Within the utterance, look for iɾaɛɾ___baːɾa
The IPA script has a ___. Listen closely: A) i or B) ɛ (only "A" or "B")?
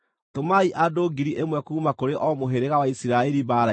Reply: A